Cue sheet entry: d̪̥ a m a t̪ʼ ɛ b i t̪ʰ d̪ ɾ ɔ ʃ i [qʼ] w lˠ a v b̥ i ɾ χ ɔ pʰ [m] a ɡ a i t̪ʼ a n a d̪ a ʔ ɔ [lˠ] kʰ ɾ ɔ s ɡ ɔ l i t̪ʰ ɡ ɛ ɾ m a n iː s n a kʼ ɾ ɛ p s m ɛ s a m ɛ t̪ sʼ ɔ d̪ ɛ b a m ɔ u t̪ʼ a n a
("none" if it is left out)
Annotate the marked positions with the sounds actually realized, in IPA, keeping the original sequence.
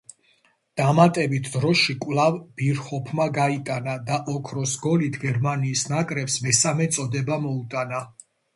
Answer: kʼ, m, none

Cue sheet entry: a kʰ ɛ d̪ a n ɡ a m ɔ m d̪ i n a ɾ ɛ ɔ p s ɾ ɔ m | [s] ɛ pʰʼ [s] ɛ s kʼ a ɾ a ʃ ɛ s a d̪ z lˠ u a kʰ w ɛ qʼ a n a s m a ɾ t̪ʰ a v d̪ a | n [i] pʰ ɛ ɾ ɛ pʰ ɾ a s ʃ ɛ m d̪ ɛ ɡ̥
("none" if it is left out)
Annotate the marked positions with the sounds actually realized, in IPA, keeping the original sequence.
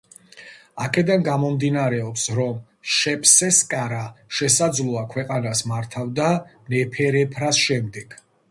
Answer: ʃ, s, ɛ

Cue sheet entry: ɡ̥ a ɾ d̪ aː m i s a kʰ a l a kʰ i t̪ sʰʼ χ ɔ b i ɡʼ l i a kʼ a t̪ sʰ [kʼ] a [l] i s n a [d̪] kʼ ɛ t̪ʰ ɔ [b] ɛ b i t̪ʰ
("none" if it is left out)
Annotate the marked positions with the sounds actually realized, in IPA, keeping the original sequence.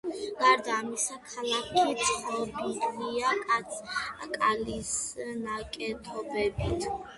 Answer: kʼ, l, none, b

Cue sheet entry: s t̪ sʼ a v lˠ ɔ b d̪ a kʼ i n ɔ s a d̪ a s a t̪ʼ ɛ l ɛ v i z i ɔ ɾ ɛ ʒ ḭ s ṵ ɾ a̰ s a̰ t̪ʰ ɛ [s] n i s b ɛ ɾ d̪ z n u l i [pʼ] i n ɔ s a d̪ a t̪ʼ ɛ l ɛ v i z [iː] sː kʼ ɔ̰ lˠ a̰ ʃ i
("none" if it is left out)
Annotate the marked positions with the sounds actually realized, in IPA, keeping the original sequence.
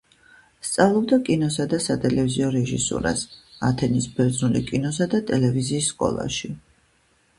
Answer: none, kʼ, iː

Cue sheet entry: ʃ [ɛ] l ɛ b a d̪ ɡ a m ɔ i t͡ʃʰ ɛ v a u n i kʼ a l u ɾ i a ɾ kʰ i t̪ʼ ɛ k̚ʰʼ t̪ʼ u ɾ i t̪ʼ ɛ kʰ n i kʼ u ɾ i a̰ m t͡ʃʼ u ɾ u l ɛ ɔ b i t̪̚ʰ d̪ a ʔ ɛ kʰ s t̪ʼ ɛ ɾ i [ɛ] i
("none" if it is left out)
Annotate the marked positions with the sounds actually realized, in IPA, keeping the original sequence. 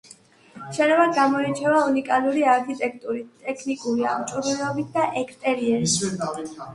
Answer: ɛ, ɛ

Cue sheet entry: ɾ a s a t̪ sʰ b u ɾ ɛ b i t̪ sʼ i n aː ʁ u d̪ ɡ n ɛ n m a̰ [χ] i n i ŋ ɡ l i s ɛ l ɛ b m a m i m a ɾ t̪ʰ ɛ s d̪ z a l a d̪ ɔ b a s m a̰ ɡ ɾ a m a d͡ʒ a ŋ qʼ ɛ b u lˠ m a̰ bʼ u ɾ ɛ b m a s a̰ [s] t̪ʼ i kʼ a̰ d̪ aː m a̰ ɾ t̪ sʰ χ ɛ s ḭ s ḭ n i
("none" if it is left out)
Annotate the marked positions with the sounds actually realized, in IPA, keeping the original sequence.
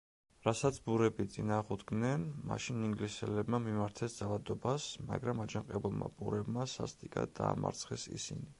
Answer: ʃ, s

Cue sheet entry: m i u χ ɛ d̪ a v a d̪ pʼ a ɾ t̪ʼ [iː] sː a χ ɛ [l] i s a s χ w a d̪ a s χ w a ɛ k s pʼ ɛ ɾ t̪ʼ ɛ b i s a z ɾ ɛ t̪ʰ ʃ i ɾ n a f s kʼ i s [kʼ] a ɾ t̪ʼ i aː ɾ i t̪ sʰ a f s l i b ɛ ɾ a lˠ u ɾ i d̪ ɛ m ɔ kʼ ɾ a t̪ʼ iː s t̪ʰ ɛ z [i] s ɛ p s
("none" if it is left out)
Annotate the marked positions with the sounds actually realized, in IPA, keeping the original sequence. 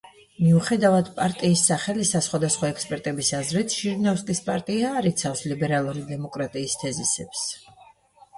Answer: iː, l, pʼ, i

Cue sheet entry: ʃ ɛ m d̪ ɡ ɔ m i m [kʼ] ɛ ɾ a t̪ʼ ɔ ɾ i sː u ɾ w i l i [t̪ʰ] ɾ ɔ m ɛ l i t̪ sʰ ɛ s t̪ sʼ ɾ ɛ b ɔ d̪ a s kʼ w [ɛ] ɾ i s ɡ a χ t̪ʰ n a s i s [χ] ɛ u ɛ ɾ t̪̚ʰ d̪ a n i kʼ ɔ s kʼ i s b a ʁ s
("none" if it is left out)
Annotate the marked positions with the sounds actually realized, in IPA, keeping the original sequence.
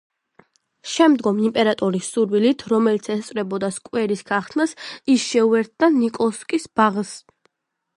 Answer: pʼ, t̪ʰ, ɛ, ʃ

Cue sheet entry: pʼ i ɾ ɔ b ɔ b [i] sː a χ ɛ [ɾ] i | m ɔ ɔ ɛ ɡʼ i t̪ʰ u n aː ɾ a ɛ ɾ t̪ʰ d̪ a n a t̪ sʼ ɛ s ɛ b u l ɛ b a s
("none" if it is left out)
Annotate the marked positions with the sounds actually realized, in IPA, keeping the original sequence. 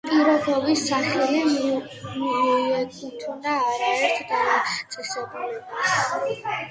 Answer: i, l

